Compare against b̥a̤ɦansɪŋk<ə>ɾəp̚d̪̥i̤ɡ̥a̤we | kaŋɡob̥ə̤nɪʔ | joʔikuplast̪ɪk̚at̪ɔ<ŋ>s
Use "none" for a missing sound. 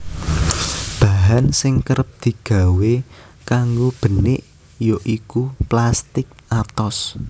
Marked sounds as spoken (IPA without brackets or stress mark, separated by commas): ə, none